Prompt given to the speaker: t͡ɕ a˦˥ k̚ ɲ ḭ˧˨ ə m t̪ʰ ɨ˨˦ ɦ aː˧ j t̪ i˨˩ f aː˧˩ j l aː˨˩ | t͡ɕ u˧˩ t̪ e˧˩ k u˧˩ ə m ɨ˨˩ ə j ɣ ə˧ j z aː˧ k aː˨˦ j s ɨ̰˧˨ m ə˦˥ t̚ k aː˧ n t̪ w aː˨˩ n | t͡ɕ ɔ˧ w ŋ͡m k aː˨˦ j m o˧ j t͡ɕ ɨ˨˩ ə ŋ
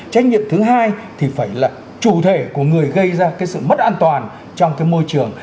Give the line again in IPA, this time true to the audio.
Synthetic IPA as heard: t͡ɕ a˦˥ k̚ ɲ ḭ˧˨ ə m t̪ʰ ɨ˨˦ ɦ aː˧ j t̪ʰ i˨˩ f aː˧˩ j l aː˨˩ | t͡ɕ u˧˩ t̪ʰ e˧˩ k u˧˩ ə ŋ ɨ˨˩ ə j ɣ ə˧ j z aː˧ k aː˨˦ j s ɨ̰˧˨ m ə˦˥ t̚ ʔ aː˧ n t̪ w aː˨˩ n | t͡ɕ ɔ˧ w ŋ͡m k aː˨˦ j m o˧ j t͡ɕ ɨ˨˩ ə ŋ

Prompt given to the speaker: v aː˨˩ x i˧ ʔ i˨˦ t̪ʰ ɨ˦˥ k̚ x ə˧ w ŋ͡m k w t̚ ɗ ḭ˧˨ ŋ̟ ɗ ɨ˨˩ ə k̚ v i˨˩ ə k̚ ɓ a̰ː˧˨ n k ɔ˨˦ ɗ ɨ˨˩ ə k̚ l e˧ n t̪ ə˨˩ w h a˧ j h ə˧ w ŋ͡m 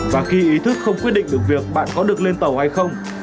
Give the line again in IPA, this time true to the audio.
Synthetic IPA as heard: v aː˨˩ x i˧ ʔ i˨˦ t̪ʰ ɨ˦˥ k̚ x ə˧ w ŋ͡m k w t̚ ɗ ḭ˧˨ ŋ̟ ɗ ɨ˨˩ ə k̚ v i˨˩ ə k̚ ɓ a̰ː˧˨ n k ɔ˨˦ ɗ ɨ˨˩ ə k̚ l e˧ n t̪ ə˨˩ w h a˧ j x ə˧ w ŋ͡m

